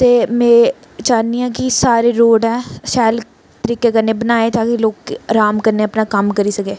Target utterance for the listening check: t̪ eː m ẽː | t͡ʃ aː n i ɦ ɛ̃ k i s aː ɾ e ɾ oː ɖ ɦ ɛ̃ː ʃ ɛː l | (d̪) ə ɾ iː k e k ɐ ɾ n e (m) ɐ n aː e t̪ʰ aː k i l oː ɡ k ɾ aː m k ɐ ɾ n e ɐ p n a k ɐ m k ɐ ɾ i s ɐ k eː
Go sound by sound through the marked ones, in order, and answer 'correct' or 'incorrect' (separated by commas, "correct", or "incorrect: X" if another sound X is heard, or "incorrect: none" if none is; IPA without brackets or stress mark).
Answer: incorrect: t̪, incorrect: b